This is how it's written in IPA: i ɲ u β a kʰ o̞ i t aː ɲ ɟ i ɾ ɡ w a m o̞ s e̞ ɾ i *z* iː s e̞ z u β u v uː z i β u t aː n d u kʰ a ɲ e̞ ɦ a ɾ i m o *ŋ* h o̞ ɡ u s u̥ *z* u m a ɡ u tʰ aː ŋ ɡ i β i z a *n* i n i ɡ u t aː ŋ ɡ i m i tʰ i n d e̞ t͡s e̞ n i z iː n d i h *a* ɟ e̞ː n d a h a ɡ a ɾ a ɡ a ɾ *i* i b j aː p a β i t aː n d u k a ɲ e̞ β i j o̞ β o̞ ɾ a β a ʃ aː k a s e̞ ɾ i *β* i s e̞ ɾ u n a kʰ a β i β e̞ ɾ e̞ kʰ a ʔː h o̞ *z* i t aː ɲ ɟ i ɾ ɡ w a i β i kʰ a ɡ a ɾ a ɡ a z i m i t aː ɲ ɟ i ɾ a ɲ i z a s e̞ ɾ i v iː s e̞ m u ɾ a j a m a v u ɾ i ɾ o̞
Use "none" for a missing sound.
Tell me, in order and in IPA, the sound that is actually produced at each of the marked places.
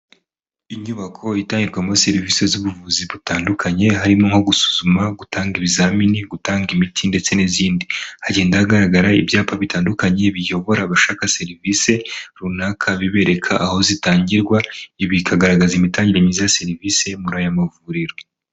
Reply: v, ŋ, z, m, a, a, v, z

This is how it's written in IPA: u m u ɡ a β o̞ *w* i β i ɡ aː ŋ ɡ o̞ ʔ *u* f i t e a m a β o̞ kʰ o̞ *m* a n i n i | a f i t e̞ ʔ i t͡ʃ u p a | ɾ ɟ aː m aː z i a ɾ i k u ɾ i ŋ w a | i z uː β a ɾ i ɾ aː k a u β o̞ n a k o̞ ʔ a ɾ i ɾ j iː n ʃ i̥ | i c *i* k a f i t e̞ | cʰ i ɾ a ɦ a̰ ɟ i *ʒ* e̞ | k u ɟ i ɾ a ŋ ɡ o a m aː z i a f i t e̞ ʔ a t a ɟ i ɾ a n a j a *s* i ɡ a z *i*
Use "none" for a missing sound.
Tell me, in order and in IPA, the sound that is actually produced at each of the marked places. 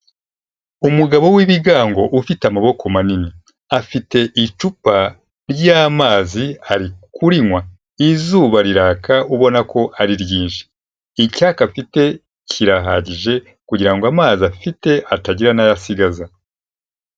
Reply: w, u, m, a, ʒ, s, a

